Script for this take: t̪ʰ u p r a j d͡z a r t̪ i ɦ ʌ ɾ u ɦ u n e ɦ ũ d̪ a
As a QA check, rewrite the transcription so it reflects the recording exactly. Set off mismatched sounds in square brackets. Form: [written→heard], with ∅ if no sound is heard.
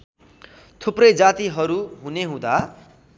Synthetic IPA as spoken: t̪ʰ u p r [a→ʌ] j d͡z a [r→∅] t̪ i ɦ ʌ ɾ u ɦ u n e ɦ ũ d̪ a